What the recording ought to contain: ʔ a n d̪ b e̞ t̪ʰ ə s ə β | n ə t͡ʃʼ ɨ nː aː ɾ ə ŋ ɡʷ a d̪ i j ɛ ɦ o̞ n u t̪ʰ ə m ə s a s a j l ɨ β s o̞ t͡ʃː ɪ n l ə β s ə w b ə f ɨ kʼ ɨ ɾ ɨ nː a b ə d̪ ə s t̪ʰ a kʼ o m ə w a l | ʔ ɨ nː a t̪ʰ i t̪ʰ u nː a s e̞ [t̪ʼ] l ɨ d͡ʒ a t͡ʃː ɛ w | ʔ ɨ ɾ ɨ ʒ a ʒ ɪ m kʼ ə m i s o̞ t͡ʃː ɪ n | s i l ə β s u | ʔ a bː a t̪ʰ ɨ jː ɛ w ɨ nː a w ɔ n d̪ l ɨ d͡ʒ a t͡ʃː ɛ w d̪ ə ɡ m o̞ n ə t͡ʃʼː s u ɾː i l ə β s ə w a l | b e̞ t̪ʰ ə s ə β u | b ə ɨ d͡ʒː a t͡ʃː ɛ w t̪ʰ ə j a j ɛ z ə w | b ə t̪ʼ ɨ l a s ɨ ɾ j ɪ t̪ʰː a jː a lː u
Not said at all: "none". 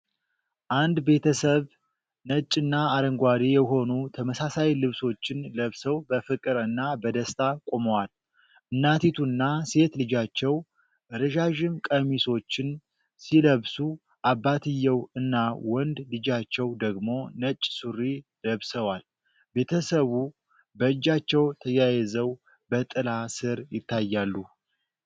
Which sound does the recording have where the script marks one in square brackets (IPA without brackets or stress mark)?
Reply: t̪